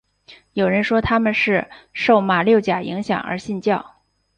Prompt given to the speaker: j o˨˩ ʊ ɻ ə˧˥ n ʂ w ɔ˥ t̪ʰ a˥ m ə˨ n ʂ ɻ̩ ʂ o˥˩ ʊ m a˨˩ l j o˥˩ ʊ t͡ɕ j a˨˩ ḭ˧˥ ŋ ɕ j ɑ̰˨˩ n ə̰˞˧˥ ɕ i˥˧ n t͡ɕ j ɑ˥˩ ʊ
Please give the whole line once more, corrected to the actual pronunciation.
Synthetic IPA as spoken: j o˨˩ ʊ ɻ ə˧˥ n ʂ w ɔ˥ t̪ʰ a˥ m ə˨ n ʂ ɻ̩ ʂ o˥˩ ʊ m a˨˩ l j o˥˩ ʊ t͡ɕ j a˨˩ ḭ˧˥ ŋ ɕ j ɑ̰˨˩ ŋ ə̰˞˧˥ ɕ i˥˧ n t͡ɕ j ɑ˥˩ ʊ

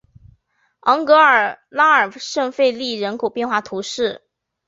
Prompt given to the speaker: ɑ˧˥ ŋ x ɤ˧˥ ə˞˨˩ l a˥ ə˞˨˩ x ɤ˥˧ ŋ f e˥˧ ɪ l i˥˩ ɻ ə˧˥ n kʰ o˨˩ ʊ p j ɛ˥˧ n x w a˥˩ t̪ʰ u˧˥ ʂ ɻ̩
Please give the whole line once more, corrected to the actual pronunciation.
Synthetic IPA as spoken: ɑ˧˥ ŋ k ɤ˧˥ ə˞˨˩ l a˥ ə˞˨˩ ʂ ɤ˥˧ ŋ f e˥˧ ɪ l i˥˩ ɻ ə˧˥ n kʰ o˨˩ ʊ p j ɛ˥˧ n x w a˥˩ t̪ʰ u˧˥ ʂ ɻ̩

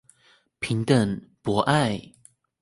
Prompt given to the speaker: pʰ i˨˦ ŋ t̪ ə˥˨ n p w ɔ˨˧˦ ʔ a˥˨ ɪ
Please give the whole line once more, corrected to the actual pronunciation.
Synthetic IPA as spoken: pʰ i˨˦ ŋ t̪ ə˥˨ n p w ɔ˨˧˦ ʔ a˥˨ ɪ

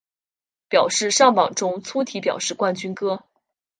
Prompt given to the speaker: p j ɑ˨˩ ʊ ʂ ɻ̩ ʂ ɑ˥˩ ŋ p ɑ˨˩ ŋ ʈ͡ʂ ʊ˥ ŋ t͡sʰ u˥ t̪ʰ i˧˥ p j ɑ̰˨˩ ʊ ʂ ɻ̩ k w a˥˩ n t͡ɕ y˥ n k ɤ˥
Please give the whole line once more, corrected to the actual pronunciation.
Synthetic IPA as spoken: p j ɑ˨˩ ʊ ʂ ɻ̩ ʂ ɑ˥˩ ŋ p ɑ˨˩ ŋ ʈ͡ʂ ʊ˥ ŋ t͡sʰ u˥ t̪ʰ i˧˥ p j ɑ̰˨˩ ʊ ʂ ɻ̩ k w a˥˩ n t͡ɕ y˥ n k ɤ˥

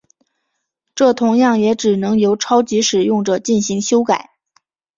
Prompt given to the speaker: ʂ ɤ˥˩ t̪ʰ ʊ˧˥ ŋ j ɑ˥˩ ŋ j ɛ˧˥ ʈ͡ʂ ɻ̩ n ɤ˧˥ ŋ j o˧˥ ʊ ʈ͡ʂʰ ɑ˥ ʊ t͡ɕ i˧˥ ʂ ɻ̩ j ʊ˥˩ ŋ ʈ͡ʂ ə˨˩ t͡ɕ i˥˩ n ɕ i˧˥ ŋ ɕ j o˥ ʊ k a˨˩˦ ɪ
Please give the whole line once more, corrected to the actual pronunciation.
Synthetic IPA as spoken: ʈ͡ʂ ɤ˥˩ t̪ʰ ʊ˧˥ ŋ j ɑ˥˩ ŋ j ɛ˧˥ ʈ͡ʂ ɻ̩ n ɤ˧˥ ŋ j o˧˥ ʊ ʈ͡ʂʰ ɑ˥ ʊ t͡ɕ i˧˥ ʂ ɻ̩ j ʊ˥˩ ŋ ʈ͡ʂ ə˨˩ t͡ɕ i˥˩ n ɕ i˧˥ ŋ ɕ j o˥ ʊ k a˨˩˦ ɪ

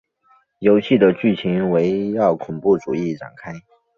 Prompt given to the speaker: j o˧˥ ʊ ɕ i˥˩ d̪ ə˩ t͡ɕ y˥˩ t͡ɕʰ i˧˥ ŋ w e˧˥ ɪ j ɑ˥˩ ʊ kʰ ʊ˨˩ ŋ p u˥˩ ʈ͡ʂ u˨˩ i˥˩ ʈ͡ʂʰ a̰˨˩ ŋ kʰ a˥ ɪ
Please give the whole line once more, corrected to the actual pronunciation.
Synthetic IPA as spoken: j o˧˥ ʊ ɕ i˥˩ d̪ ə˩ t͡ɕ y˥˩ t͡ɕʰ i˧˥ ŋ w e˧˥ ɪ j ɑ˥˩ ʊ kʰ ʊ˨˩ ŋ p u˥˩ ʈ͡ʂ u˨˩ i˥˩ ʈ͡ʂ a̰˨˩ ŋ kʰ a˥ ɪ

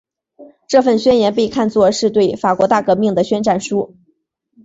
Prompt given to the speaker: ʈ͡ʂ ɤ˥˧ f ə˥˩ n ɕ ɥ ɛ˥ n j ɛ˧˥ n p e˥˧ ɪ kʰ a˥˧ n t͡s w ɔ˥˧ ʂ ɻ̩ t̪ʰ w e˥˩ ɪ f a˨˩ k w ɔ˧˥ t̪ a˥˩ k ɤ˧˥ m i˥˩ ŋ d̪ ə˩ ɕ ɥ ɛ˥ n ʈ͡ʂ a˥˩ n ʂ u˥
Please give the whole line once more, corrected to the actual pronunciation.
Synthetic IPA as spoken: ʈ͡ʂ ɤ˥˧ f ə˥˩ n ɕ ɥ ɛ˥ n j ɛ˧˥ n p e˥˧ ɪ kʰ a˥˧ n t͡s w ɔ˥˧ ʂ ɻ̩ t̪ w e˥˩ ɪ f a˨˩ k w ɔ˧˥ t̪ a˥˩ k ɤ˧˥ m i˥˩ ŋ d̪ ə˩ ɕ ɥ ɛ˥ n ʈ͡ʂ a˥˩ n ʂ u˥

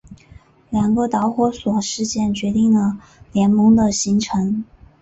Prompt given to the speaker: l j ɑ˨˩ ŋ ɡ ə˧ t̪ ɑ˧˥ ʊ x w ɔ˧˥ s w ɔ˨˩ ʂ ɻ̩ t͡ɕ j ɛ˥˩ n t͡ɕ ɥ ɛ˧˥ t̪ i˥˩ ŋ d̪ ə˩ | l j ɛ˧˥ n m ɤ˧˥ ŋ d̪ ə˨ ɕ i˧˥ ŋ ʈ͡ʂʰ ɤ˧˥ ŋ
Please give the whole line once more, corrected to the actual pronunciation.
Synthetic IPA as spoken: l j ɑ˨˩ ŋ ɡ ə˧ t̪ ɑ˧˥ ʊ x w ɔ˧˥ s w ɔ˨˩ ʂ ɻ̩ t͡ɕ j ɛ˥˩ n t͡ɕ ɥ ɛ˧˥ t̪ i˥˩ ŋ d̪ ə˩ | l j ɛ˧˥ n m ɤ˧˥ ŋ d̪ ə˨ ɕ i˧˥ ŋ ʈ͡ʂʰ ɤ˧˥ ŋ

